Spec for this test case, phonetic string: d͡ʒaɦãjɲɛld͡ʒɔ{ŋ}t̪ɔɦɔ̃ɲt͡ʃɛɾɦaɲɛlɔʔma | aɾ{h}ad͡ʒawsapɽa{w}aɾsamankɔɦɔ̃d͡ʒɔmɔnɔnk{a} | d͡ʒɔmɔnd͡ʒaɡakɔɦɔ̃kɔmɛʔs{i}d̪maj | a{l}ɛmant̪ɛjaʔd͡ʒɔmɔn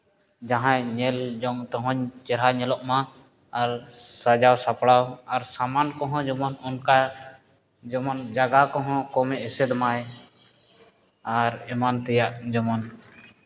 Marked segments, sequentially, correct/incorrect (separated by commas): correct, incorrect, correct, correct, incorrect, incorrect